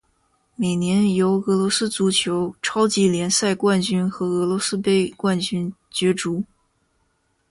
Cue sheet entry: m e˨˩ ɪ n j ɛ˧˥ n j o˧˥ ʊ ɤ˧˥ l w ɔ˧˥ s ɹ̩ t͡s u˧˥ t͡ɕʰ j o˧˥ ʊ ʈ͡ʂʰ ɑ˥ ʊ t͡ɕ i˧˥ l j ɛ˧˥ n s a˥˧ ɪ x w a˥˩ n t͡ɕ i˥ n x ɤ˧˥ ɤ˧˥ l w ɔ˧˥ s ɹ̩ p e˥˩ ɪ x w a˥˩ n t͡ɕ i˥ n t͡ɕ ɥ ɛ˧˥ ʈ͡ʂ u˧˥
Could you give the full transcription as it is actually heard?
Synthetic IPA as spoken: m e˨˩ ɪ n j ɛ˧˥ n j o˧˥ ʊ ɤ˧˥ l w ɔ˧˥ s ɹ̩ t͡s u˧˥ t͡ɕʰ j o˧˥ ʊ ʈ͡ʂʰ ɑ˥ ʊ t͡ɕ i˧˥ l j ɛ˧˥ n s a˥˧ ɪ k w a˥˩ n t͡ɕ y˥ n x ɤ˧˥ ɤ˧˥ l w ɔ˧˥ s ɹ̩ p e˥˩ ɪ k w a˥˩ n t͡ɕ y˥ n t͡ɕ ɥ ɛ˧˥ ʈ͡ʂ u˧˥